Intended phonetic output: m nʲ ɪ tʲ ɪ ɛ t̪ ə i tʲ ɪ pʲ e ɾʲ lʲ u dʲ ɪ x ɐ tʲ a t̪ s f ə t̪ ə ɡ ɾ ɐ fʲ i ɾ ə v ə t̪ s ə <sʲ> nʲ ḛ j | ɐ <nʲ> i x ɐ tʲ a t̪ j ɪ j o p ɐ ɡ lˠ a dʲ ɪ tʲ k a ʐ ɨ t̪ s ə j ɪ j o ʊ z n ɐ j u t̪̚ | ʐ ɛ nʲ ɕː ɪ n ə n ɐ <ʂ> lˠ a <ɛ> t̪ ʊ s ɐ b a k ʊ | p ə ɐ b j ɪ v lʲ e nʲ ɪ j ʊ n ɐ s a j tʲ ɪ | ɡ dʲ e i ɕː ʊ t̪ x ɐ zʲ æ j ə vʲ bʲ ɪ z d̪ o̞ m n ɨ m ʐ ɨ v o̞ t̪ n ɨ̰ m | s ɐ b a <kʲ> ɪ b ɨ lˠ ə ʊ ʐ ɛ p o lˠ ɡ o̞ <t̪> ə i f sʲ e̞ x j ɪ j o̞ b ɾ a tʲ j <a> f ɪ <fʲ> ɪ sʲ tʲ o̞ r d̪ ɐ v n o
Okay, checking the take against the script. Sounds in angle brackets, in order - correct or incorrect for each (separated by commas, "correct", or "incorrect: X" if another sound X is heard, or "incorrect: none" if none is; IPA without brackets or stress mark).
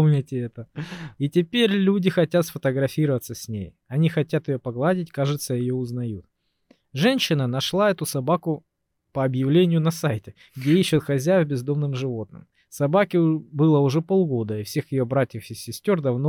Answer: correct, correct, correct, correct, correct, incorrect: d̪, incorrect: ə, incorrect: sʲ